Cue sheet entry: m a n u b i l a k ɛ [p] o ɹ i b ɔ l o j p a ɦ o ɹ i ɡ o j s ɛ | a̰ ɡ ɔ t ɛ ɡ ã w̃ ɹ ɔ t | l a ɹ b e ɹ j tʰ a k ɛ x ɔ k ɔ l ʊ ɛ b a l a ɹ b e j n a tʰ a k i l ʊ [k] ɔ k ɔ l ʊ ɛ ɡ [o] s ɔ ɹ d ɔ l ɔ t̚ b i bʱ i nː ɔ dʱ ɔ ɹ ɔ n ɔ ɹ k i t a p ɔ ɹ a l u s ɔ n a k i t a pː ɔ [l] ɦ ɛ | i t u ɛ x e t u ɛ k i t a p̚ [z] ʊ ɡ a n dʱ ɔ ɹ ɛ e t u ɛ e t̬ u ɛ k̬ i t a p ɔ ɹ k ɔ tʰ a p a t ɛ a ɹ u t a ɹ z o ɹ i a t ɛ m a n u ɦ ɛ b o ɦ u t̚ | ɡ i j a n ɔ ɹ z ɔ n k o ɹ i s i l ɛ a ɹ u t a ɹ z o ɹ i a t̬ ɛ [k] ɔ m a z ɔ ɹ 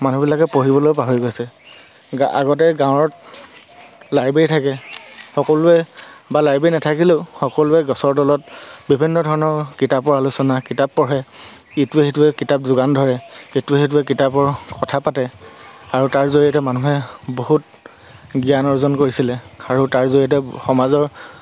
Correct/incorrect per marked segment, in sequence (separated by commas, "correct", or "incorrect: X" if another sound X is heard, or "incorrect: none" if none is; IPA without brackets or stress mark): correct, incorrect: x, incorrect: ɔ, incorrect: ɹ, correct, incorrect: x